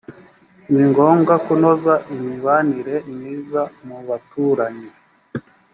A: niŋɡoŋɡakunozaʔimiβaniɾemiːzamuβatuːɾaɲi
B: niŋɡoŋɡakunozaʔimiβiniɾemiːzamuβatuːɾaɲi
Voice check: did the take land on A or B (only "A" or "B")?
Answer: A